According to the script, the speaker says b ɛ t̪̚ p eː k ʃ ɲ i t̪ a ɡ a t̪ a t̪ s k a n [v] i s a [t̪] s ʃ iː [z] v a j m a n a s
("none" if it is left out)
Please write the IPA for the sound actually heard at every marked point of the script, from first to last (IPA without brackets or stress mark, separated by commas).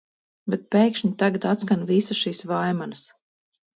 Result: v, none, s